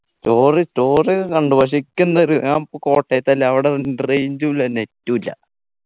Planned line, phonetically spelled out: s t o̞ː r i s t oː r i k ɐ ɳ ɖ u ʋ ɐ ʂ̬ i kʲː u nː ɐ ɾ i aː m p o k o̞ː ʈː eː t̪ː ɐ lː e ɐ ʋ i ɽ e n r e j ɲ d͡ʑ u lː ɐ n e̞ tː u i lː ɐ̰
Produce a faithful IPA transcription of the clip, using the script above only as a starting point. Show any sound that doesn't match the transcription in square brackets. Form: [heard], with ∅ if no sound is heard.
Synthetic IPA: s t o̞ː r i s t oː r i k ɐ ɳ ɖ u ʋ ɐ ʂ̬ i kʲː u nː ɐ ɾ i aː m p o k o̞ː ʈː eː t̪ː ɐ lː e ɐ ʋ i ɽ e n r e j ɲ d͡ʑ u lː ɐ n e̞ tː u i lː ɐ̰